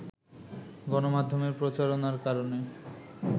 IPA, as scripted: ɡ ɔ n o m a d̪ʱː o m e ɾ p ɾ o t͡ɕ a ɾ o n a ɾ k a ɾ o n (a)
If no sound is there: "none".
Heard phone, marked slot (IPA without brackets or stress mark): e